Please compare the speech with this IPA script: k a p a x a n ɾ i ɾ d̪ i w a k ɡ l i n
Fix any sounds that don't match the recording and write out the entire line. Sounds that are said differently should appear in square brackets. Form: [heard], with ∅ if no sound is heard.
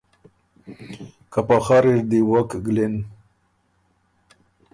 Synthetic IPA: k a p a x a [∅] ɾ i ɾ d̪ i w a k ɡ l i n

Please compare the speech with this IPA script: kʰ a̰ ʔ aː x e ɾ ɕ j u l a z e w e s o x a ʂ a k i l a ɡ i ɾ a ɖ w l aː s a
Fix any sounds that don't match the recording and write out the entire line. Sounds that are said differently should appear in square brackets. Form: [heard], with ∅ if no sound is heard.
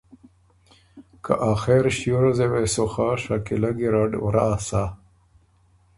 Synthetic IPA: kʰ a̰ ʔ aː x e ɾ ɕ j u [ɾ] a z e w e s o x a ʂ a k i l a ɡ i ɾ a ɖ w [ɾ] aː s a

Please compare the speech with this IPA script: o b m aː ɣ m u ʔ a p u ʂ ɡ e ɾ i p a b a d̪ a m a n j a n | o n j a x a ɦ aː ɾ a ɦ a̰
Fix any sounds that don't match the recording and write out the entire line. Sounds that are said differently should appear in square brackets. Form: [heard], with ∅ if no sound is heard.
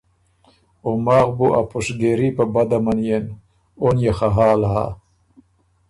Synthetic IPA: o [∅] m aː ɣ [b] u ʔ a p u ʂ ɡ e ɾ i p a b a d̪ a m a n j [e] n | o n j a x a ɦ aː [l] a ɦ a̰

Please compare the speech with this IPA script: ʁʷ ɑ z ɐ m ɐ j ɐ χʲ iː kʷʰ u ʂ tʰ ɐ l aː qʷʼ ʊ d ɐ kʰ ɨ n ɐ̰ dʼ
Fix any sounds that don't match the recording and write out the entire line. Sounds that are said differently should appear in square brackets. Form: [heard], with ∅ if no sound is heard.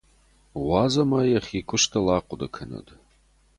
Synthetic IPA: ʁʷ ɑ z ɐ m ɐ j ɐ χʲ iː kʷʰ [ʊ] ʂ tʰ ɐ l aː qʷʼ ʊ d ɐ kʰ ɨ n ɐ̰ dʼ

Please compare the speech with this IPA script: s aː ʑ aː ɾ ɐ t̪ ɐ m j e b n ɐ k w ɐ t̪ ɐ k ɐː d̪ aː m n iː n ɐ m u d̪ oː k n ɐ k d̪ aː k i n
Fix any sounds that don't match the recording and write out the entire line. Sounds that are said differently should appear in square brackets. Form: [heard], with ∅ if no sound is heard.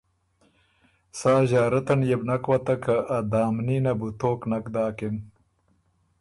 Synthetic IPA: s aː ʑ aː ɾ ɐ t̪ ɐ [n] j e b n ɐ k w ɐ t̪ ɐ k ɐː d̪ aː m n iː n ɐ [b] u [t̪] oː k n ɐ k d̪ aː k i n

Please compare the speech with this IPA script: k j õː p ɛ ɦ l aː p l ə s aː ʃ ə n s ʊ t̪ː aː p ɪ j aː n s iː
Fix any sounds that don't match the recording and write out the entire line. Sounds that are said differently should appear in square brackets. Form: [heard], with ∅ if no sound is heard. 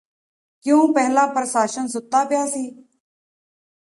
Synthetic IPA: k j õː p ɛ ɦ l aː p [ɾ] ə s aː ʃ ə n s ʊ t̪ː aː p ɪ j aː [∅] s iː

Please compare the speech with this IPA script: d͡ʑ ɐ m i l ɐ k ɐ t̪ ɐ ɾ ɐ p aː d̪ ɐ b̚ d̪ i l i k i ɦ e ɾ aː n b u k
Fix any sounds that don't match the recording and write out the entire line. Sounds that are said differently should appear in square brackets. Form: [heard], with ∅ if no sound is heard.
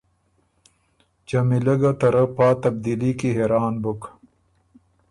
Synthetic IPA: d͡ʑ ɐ m i l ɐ [ɡ] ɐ t̪ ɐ ɾ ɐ p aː [t̪] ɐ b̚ d̪ i l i k i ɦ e ɾ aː n b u k

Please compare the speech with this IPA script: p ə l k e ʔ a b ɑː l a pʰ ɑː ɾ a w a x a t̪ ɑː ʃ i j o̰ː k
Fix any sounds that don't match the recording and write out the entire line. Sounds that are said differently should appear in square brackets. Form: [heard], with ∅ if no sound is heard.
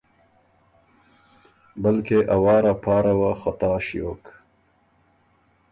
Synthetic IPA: [b] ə l k e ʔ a [w] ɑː [ɾ] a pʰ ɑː ɾ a w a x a t̪ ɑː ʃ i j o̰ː k

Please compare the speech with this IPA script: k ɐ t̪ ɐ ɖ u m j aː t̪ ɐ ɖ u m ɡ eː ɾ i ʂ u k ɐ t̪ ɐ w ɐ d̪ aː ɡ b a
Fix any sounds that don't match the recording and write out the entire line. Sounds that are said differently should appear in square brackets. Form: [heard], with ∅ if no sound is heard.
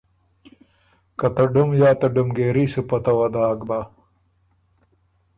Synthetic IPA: k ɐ t̪ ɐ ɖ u m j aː t̪ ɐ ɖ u m ɡ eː ɾ i [s] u [p] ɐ t̪ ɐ w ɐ d̪ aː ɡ b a

